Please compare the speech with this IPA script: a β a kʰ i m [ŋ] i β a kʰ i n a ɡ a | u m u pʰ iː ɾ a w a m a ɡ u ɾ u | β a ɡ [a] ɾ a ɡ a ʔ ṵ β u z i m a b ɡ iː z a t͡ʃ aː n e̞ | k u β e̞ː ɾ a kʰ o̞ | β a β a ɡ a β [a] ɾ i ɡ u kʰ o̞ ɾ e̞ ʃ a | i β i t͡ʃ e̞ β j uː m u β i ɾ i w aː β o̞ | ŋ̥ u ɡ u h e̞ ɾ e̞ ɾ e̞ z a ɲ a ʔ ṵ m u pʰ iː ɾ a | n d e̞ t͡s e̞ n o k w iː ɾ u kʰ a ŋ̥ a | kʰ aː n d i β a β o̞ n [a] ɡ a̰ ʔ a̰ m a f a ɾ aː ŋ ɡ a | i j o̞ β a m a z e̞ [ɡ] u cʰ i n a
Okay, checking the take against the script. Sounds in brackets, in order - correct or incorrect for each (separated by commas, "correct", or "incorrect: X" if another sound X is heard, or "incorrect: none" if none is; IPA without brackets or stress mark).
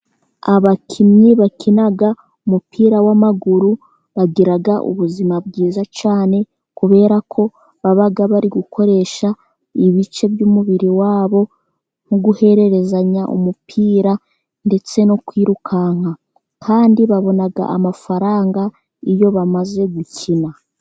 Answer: incorrect: ɲ, incorrect: i, correct, correct, correct